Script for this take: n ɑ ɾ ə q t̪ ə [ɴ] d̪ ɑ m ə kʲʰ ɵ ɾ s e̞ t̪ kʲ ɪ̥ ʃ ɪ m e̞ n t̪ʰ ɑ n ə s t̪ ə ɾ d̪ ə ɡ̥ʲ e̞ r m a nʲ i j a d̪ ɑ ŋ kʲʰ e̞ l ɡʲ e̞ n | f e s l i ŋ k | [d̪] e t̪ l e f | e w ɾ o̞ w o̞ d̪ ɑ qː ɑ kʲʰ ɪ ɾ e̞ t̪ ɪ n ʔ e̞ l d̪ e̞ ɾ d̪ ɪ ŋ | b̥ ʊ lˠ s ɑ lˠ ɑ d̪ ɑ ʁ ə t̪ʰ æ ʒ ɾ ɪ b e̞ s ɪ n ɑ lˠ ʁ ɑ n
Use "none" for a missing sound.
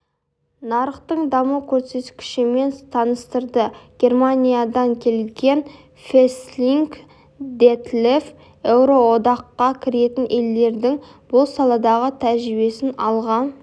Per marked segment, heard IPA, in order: ɴ, d̪

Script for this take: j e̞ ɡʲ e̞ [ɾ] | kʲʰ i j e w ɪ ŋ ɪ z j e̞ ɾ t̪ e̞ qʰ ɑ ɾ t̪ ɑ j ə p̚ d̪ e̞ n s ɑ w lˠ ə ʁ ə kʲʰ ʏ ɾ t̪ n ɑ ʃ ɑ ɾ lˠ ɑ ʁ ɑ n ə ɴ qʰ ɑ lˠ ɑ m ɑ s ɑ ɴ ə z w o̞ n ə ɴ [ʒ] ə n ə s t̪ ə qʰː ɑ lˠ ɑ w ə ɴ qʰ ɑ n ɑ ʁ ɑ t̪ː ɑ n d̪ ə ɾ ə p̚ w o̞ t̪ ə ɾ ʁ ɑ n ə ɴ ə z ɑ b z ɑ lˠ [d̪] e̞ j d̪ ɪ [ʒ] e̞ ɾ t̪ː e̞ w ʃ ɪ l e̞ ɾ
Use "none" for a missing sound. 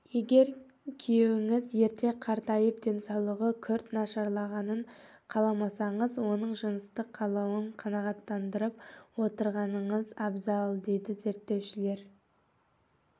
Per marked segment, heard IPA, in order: ɾ, ʒ, d̪, z

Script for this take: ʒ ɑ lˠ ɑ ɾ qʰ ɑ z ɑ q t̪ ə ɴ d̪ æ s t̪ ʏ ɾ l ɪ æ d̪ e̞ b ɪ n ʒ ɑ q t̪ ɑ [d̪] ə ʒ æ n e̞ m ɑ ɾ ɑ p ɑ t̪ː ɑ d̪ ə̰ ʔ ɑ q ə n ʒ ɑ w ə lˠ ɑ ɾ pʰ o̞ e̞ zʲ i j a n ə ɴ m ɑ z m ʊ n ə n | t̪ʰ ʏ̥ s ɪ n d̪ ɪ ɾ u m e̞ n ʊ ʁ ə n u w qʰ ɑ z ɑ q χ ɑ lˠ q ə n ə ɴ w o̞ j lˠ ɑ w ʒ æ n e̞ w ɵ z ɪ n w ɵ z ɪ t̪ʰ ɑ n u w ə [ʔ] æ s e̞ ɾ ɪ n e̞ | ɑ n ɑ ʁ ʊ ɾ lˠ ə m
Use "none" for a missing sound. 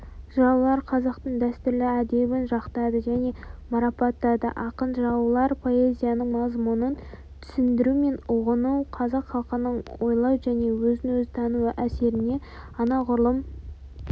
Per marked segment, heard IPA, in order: d̪, ʔ

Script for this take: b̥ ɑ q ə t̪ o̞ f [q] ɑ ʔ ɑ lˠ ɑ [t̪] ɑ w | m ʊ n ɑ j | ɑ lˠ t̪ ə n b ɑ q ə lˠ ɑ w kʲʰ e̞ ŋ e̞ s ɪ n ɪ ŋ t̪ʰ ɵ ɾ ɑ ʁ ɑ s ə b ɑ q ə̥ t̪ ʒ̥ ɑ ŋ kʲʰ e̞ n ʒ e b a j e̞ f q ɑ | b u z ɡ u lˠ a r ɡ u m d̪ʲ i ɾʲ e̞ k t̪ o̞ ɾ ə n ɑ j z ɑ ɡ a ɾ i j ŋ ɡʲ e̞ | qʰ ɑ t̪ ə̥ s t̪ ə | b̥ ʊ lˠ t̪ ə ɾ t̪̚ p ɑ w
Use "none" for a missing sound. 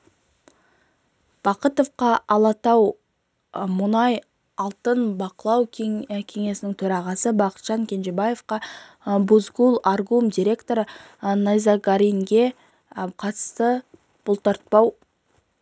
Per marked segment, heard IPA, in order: q, t̪

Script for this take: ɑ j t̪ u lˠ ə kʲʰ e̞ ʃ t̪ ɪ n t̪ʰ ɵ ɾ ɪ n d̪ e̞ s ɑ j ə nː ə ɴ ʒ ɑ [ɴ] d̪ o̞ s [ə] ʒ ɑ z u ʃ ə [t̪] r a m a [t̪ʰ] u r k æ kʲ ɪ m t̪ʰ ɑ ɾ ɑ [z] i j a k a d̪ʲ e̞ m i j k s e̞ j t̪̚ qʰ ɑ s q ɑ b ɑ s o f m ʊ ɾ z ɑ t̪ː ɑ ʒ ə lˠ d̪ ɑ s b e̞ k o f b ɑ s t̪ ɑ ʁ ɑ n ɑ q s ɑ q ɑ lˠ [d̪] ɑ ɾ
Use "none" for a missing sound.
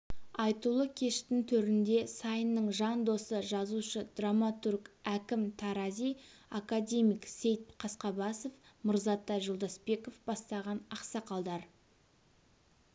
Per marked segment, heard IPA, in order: n, ə, d̪, t̪, z, d̪

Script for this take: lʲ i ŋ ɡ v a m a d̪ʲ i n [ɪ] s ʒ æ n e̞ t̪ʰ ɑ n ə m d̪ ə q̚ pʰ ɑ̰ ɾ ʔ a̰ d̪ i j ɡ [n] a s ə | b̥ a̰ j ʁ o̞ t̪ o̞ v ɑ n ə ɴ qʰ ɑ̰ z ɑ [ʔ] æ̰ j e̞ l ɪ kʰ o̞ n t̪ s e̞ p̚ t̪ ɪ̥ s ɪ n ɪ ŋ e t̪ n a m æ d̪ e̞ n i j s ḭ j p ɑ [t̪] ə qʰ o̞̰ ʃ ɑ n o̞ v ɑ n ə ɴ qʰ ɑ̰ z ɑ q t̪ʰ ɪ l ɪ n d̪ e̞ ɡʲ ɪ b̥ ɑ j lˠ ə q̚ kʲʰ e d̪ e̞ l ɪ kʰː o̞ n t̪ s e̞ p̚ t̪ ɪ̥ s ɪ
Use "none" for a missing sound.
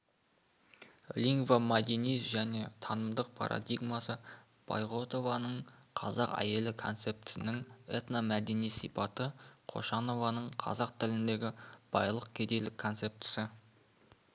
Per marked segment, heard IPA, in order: i, m, q, t̪

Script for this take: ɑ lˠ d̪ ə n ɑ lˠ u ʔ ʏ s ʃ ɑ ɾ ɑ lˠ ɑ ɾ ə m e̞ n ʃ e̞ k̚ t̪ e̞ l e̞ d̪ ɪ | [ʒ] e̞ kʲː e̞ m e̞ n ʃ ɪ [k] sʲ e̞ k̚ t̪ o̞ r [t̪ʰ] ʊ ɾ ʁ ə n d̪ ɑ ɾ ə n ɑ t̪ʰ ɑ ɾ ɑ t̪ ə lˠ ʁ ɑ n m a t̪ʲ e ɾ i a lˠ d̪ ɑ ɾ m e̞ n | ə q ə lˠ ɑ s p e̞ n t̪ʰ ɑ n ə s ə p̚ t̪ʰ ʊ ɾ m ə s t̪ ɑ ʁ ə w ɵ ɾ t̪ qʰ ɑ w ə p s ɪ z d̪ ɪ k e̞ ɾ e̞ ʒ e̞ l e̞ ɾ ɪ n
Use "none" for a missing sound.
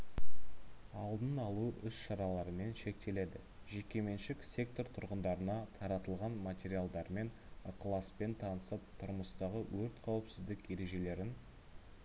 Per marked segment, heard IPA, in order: ʒ, k, t̪ʰ

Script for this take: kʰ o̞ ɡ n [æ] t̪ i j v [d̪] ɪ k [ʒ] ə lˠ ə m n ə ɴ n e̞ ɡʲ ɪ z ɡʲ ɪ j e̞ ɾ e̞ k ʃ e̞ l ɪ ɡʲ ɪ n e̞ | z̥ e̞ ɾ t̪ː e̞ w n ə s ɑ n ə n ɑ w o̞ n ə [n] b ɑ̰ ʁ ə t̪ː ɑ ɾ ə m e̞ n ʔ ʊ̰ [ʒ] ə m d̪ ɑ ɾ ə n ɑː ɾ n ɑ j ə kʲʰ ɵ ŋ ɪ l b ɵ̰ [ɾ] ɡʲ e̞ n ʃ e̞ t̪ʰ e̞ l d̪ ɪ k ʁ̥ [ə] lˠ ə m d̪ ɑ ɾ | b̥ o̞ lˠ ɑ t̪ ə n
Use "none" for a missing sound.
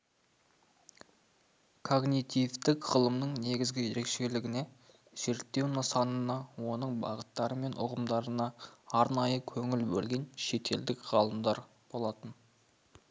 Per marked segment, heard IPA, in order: i, t̪, ʁ, ɴ, ʁ, l, ɑ

